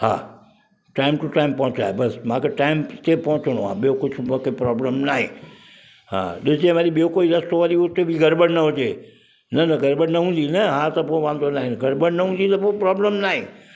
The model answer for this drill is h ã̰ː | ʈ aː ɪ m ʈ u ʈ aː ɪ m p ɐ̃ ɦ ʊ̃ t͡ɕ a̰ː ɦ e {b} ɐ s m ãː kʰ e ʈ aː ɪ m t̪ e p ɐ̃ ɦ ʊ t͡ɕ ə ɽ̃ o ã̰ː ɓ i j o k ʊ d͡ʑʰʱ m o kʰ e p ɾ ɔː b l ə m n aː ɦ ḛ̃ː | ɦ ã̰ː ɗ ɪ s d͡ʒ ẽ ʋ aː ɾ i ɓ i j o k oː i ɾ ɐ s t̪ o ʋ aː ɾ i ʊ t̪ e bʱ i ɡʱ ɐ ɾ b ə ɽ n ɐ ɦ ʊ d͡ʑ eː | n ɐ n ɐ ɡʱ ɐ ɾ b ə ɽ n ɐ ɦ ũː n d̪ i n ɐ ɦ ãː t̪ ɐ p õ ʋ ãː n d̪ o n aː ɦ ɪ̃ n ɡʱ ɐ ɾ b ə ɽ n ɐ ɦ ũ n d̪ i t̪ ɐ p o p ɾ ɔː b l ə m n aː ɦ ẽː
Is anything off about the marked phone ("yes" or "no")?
no